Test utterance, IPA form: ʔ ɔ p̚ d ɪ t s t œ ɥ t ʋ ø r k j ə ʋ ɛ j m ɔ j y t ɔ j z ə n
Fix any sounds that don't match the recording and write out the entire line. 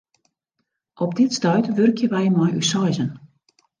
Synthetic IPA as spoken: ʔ ɔ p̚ d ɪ t s t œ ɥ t ʋ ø r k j ə ʋ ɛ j m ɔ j y s ɔ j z ə n